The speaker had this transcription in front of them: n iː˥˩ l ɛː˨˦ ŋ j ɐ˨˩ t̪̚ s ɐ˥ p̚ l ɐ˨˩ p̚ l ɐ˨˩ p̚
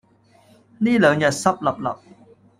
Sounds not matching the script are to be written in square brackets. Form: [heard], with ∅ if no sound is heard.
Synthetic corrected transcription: n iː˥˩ l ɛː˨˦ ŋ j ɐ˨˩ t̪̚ s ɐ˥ p̚ l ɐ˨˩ p̚ l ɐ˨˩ p̚